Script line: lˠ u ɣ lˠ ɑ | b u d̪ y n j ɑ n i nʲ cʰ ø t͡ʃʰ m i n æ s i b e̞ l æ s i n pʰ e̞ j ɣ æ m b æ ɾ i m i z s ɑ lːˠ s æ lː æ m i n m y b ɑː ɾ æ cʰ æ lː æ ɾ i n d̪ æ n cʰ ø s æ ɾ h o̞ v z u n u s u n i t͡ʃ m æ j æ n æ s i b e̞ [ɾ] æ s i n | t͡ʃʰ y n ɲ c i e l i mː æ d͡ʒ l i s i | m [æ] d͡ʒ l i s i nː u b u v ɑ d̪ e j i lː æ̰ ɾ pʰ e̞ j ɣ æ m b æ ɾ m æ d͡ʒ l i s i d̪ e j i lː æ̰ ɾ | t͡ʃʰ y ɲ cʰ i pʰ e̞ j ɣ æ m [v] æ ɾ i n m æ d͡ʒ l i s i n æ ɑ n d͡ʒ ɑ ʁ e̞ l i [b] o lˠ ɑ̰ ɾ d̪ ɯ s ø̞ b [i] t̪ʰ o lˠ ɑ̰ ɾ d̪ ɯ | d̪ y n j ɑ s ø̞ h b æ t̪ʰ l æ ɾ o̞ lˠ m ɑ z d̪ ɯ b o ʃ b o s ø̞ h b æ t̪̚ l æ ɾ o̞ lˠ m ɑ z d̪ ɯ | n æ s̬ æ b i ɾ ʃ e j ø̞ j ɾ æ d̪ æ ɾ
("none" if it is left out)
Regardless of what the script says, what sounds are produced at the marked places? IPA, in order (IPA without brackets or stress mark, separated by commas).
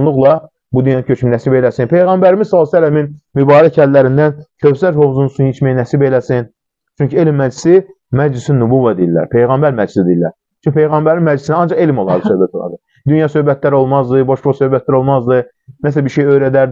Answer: l, æ, b, m, æ